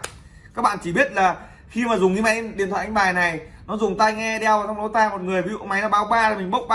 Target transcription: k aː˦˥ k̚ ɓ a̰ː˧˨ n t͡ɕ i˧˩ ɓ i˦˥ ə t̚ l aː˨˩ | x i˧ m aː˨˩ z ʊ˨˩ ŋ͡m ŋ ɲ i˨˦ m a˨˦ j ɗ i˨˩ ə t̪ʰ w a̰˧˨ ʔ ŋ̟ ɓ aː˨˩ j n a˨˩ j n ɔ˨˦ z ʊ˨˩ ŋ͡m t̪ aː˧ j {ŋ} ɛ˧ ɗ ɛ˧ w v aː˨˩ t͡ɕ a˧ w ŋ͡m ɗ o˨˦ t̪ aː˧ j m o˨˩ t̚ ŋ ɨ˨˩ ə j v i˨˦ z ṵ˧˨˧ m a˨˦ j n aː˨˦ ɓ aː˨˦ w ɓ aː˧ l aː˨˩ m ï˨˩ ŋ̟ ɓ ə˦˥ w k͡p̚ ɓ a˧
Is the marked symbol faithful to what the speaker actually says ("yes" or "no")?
yes